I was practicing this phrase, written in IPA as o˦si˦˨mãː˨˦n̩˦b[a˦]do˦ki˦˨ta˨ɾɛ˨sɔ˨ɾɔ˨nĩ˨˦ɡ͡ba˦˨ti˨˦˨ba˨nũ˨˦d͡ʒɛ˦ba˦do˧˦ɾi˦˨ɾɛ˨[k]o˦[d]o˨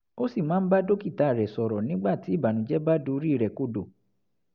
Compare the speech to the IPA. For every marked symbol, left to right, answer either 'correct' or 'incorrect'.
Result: correct, correct, correct

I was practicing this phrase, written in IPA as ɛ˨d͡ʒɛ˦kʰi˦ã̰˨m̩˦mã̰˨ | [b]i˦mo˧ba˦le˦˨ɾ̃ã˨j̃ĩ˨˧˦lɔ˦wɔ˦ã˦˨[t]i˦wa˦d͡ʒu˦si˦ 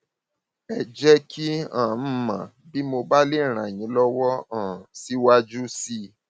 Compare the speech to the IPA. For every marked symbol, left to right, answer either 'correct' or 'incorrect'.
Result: correct, incorrect

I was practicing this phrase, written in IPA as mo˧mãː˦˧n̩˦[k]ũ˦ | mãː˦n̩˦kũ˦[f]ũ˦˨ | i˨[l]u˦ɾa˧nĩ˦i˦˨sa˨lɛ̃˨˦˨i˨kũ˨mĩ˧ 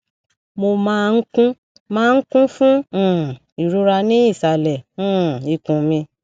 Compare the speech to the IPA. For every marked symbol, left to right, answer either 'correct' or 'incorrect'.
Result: correct, correct, incorrect

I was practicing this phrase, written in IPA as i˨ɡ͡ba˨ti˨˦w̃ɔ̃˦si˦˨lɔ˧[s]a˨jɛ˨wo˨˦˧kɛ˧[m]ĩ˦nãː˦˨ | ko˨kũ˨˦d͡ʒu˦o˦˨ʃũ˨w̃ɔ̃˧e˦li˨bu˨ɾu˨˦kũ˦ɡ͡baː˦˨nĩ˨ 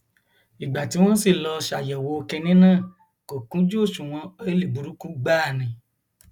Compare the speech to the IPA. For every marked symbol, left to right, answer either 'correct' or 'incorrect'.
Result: incorrect, incorrect

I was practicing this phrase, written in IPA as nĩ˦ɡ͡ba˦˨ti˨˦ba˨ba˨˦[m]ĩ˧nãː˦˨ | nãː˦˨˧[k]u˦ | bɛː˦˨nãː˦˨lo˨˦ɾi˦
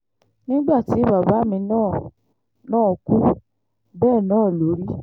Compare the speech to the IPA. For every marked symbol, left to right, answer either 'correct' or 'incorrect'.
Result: correct, correct

